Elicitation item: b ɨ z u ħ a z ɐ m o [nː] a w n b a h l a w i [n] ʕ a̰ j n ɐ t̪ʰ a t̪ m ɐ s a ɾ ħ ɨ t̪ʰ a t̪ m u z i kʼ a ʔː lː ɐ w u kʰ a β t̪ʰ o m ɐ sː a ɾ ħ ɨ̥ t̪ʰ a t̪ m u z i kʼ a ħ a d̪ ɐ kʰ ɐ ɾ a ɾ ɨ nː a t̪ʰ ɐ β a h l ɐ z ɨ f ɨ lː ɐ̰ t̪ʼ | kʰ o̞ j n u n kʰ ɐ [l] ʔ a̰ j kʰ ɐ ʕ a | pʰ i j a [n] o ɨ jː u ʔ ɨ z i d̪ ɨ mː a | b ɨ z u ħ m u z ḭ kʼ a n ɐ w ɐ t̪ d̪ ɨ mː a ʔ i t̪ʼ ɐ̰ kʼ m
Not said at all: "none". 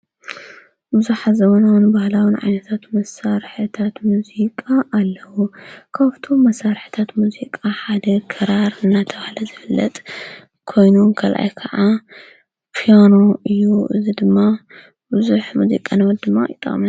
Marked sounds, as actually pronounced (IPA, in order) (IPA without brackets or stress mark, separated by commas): n, n, l, n